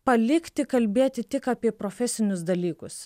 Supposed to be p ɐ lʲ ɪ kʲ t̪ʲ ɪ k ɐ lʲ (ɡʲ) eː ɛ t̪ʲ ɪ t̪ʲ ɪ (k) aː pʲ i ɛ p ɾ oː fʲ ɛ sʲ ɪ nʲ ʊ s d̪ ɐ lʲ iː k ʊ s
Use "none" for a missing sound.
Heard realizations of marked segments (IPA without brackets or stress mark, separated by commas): bʲ, k